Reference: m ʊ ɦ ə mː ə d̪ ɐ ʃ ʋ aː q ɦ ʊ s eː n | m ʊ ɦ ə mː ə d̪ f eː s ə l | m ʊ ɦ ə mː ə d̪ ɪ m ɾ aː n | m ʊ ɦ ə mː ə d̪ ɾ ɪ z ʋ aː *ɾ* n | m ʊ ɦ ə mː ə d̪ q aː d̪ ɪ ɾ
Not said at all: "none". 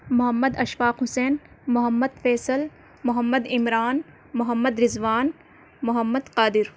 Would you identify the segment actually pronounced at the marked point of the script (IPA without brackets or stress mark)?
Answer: none